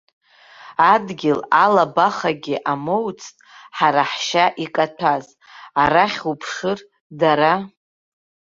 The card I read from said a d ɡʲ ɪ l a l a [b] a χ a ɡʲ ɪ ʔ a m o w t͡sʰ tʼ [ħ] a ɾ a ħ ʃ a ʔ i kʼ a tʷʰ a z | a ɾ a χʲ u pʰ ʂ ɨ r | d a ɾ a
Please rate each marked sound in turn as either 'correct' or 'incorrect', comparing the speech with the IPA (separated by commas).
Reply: correct, correct